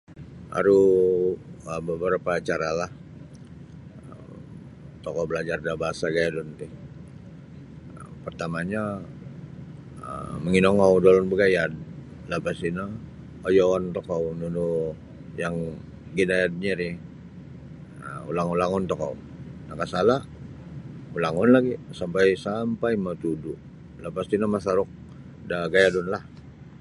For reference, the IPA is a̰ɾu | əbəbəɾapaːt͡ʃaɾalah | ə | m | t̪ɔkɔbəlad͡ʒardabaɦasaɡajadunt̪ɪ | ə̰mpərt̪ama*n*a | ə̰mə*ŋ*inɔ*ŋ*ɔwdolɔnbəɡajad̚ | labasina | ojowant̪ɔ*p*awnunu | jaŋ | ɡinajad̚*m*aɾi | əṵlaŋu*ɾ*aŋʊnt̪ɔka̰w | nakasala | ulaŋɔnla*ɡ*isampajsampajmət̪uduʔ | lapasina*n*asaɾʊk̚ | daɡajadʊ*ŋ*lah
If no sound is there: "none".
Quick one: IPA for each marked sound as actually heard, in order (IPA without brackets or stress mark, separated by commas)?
ɲ, ŋ, ŋ, k, ɲ, l, ɡ, m, n